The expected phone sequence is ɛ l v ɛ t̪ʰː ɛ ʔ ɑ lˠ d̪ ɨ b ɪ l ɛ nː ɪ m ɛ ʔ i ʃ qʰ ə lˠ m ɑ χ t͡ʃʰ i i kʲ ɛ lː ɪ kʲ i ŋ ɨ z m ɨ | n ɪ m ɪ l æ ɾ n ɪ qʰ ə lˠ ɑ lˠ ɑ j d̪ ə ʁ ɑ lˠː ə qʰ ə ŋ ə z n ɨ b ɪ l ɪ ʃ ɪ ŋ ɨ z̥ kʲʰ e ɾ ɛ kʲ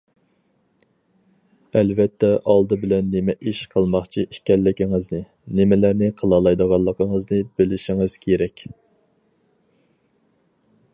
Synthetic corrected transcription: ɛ l v ɛ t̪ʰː ɛ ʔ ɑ lˠ d̪ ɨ b ɪ l ɛ nː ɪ m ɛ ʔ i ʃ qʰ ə lˠ m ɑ χ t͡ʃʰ i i kʲ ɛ lː ɪ kʲ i ŋ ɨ z n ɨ | n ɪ m ɪ l æ ɾ n ɪ qʰ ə lˠ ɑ lˠ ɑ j d̪ ə ʁ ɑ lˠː ə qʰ ə ŋ ə z n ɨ b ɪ l ɪ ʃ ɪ ŋ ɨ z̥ kʲʰ e ɾ ɛ kʲ